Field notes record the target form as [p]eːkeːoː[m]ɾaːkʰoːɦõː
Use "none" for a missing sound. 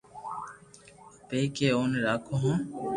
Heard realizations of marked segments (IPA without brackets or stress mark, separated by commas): p, n